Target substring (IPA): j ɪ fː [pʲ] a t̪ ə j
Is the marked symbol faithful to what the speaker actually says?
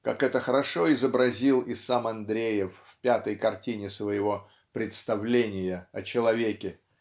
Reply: yes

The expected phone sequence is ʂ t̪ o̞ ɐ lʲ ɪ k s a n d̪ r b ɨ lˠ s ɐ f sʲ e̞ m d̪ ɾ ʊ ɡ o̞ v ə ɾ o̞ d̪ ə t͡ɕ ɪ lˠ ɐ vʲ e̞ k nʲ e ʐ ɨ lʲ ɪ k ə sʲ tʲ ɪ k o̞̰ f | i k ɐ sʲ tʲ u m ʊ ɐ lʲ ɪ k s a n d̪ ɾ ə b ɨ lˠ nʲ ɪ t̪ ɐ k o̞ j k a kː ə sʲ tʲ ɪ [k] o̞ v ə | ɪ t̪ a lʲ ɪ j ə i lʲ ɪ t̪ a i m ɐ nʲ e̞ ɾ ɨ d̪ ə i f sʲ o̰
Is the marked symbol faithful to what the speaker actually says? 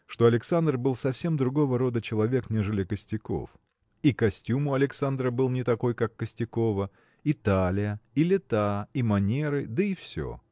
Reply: yes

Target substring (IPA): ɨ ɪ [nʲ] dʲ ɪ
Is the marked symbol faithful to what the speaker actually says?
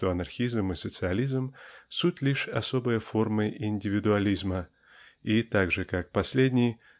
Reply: yes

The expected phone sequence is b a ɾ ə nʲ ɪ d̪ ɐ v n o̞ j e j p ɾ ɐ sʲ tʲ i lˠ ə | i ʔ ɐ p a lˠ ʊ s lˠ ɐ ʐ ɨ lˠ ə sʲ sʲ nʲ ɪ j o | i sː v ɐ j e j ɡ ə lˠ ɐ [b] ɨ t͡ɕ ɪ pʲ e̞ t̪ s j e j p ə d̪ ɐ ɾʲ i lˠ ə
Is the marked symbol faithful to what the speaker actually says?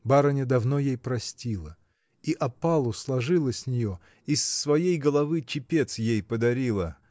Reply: no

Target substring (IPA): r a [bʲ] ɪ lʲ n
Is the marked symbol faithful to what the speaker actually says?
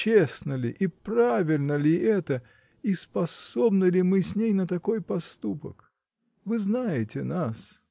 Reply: no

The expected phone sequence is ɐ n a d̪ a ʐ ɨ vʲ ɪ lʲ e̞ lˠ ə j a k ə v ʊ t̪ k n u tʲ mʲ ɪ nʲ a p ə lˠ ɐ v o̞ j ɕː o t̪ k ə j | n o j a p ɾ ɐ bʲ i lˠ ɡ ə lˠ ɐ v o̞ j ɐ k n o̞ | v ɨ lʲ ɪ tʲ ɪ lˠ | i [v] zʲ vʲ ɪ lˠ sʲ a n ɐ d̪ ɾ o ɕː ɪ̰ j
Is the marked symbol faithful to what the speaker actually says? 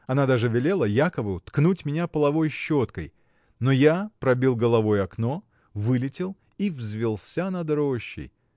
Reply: yes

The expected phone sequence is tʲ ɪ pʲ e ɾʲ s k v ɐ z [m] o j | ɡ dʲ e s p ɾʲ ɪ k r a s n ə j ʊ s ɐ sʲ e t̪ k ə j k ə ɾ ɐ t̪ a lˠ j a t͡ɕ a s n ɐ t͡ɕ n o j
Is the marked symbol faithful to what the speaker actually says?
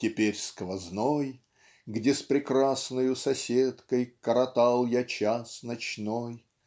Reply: no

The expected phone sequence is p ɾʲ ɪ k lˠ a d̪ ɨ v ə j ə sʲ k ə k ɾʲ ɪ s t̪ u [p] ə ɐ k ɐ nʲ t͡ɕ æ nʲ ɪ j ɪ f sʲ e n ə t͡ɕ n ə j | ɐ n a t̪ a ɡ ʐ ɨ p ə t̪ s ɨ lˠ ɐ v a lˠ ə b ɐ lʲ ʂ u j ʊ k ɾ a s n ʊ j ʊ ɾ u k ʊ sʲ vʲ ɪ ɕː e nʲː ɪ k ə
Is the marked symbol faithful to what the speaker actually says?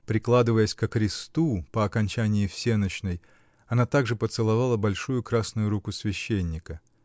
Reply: yes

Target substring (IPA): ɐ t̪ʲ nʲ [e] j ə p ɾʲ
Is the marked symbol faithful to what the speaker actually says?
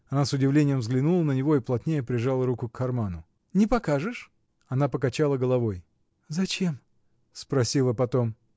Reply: yes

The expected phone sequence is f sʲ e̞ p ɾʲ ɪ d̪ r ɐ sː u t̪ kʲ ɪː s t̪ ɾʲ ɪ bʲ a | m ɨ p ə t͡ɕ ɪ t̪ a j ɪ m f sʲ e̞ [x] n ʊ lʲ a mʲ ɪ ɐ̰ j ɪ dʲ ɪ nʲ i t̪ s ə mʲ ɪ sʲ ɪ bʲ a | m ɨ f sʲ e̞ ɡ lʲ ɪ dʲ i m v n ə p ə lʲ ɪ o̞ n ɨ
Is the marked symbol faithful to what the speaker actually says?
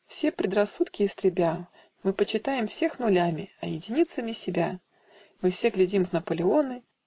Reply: yes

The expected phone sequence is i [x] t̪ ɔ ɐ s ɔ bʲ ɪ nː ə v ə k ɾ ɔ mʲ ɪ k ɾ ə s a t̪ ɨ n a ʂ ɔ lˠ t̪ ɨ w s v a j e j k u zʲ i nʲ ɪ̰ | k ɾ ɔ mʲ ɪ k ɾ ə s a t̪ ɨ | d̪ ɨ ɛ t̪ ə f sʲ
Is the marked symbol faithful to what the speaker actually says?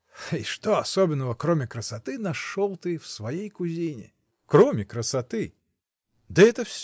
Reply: no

